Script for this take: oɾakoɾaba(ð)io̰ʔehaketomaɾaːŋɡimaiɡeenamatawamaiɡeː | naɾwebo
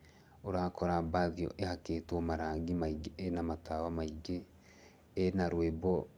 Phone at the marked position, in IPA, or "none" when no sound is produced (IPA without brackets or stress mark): ð